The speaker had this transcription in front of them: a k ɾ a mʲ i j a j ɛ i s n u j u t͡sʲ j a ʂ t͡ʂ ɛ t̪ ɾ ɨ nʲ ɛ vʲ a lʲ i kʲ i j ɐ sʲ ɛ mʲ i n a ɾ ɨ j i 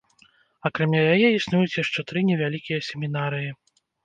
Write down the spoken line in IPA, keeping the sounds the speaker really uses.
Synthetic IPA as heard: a k ɾ a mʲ a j a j ɛ i s n u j u t͡sʲ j a ʂ t͡ʂ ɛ t̪ ɾ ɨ nʲ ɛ vʲ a lʲ i kʲ i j ɐ sʲ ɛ mʲ i n a ɾ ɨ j i

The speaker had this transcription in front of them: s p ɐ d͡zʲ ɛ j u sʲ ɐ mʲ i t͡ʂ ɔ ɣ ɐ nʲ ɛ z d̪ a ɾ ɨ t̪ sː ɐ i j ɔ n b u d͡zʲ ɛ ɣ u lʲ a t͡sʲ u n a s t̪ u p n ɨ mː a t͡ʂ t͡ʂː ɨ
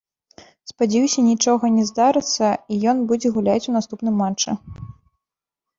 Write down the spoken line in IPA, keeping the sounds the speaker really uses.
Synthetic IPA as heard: s p a d͡zʲ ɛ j u sʲ ɐ nʲ i t͡ʂ ɔ ɣ ɐ nʲ ɛ z d̪ a ɾ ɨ t̪ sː ɐ i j ɔ n b u d͡zʲ ɛ ɣ u lʲ a t͡sʲ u n a s t̪ u p n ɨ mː a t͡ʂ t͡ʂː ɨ

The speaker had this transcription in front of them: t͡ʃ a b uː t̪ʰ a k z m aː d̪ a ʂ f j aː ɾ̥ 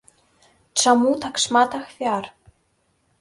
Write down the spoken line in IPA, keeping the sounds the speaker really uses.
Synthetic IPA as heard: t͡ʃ a m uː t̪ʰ a k s m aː t̪ a x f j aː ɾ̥

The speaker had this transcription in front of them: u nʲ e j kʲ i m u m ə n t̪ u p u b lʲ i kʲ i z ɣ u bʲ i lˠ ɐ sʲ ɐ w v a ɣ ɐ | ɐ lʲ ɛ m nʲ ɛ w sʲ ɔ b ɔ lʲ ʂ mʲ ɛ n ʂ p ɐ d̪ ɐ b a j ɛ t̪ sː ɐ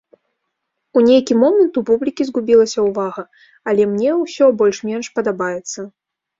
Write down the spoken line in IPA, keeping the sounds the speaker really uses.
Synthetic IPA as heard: u nʲ e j kʲ i m ɔ m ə n t̪ u p u b lʲ i kʲ i z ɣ u bʲ i lˠ ɐ sʲ ɐ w v a ɣ ɐ | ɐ lʲ ɛ m nʲ ɛ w sʲ ɔ b ɔ lʲ ʂ mʲ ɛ n ʂ p ɐ d̪ a b a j ɛ t̪ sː ɐ

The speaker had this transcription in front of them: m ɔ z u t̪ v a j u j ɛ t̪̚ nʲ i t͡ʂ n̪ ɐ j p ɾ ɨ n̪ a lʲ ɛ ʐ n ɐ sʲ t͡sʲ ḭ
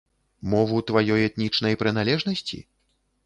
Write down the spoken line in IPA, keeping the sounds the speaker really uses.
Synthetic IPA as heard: m ɔ v u t̪ v a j ɔ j ɛ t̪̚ nʲ i t͡ʂ n̪ ɐ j p ɾ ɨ n̪ a lʲ ɛ ʐ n ɐ sʲ t͡sʲ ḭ

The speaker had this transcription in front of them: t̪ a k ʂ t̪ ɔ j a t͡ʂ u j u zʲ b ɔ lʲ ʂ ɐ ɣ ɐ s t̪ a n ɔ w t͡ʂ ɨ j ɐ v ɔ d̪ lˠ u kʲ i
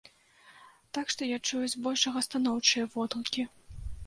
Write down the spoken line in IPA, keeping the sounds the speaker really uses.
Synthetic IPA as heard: t̪ a k ʂ t̪ ɔ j a t͡ʂ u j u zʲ b ɔ lʲ ʂ ɐ ɣ ɐ s t̪ a n ɔ w t͡ʂ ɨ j ɐ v ɔ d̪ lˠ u kʲ i

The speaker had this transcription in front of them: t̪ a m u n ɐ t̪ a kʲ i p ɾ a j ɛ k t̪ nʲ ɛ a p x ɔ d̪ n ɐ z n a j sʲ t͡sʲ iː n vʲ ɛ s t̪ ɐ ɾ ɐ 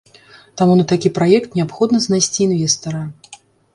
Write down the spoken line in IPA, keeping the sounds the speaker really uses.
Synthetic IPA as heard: t̪ a m u n ɐ t̪ a kʲ i p ɾ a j ɛ k t̪ nʲ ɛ a p x ɔ d̪ n ɐ z n a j sʲ t͡sʲ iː n vʲ ɛ s t̪ ɐ ɾ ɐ

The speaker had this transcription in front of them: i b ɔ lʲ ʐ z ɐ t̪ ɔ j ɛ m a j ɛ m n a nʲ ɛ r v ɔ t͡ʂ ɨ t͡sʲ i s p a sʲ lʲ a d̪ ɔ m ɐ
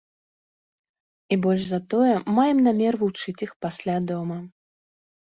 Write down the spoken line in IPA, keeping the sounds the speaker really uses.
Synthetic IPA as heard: i b ɔ lʲ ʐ z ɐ t̪ ɔ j ɛ m a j ɛ m n a mʲ ɛ r v u t͡ʂ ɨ t͡sʲ i x p a sʲ lʲ a d̪ ɔ m ɐ

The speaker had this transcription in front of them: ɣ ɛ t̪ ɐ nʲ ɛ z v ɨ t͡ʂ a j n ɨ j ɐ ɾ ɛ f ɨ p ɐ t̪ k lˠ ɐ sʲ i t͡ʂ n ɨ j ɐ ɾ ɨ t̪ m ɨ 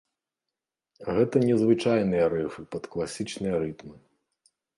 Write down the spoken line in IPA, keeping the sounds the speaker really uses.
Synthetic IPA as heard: ɣ ɛ t̪ ɐ nʲ ɛ z v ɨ t͡ʂ a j n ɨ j ɐ ɾ ɛ f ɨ p ɐ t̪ k lˠ a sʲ i t͡ʂ n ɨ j ɐ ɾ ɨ t̪ m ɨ

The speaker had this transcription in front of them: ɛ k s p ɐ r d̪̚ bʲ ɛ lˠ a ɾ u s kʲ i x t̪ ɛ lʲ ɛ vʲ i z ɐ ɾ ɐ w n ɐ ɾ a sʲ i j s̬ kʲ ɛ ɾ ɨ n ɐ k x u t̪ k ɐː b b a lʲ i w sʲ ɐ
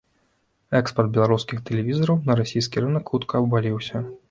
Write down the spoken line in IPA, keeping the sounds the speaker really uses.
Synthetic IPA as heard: ɛ k s p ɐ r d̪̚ bʲ ɛ lˠ a ɾ u s kʲ i x t̪ ɛ lʲ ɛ vʲ i z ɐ ɾ ɐ w n ɐ ɾ a sʲ i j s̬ kʲ i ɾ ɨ n ɐ k x u t̪ k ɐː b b a lʲ i w sʲ ɐ

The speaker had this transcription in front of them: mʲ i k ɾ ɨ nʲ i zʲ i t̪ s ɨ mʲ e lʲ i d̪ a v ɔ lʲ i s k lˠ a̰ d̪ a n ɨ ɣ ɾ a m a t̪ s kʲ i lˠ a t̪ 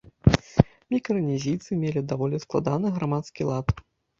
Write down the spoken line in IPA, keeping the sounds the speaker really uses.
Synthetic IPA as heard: mʲ i k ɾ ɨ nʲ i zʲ i t̪ s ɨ mʲ e lʲ i d̪ a v ɔ lʲ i s k lˠ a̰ d̪ a n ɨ ɣ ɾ a m a t̪ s kʲ i lˠ a t̪

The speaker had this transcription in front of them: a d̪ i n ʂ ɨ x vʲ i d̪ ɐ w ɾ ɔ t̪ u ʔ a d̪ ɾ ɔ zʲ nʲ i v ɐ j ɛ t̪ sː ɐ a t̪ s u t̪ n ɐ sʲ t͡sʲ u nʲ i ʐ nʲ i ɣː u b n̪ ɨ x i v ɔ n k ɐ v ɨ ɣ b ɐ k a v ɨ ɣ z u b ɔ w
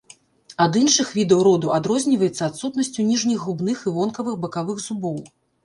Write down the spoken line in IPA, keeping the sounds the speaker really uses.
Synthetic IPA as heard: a d̪ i n ʂ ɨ x vʲ i d̪ ɐ w ɾ ɔ d̪ u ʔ a d̪ ɾ ɔ zʲ nʲ i v ɐ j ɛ t̪ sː ɐ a t̪ s u t̪ n ɐ sʲ t͡sʲ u nʲ i ʐ nʲ i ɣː u b n̪ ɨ x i v ɔ n k ɐ v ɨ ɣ b ɐ k a v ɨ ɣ z u b ɔ w

